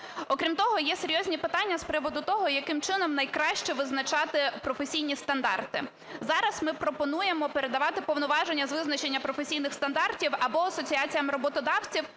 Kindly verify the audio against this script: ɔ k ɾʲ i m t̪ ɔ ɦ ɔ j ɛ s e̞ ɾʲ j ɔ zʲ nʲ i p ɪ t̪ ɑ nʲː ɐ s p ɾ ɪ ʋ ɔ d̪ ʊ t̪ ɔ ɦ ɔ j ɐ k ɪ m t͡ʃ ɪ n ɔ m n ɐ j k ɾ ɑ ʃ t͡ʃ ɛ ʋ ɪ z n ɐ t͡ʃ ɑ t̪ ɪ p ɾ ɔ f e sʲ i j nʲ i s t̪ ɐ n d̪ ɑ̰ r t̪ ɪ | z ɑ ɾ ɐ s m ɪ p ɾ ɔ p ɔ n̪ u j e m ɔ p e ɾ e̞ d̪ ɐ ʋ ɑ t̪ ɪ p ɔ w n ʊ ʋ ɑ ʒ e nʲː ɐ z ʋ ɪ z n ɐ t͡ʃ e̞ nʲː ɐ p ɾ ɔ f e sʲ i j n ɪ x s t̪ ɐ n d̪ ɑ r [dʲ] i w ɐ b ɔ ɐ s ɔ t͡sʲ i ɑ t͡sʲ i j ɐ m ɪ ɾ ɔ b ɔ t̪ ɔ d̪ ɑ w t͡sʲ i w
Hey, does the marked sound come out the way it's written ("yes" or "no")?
no